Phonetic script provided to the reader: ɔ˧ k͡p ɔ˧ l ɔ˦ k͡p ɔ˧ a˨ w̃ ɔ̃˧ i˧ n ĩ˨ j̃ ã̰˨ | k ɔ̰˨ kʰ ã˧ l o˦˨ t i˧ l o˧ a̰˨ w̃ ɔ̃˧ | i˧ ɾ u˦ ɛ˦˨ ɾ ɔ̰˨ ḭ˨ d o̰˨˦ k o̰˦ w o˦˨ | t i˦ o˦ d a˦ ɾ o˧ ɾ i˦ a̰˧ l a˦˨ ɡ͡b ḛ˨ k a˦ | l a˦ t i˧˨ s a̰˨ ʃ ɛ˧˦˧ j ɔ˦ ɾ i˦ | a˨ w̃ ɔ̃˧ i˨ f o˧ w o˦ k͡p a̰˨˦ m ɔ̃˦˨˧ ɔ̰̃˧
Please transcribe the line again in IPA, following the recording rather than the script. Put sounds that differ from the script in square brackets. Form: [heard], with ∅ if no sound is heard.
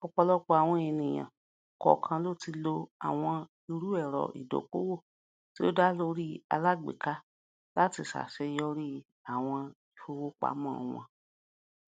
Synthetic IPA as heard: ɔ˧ k͡p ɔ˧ l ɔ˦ k͡p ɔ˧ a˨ w̃ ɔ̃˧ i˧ n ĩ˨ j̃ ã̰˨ | k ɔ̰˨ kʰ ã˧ l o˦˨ t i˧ l o˧ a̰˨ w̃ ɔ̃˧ | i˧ ɾ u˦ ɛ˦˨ ɾ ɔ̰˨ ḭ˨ d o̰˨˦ k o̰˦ w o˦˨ | t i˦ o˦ d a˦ [l] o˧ ɾ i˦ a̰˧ l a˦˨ ɡ͡b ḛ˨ k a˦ | l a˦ t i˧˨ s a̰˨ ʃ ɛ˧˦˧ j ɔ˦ ɾ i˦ | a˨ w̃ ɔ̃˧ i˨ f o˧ w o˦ k͡p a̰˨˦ m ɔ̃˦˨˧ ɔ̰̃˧